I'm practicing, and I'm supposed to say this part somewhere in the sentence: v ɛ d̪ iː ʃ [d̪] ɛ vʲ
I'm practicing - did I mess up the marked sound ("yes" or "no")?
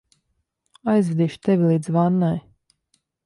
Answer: yes